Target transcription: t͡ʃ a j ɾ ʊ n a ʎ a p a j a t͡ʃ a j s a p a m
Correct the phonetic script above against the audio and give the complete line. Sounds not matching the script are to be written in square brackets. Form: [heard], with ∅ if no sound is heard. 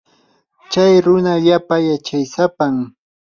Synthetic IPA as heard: t͡ʃ a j ɾ ʊ n a ʎ a p a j a t͡ʃ a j s a p a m